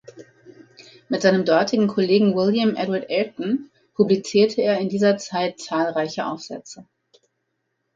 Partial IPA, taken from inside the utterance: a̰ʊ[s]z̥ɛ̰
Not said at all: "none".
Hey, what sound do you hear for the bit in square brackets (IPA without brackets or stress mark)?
f